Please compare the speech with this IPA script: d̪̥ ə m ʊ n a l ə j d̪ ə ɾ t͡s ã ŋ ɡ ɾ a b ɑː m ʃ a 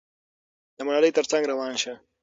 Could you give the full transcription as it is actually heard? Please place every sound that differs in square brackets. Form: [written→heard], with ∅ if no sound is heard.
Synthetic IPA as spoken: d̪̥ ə m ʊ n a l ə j [d̪→t̪] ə ɾ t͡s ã ŋ ɡ ɾ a [b→w] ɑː [m→n] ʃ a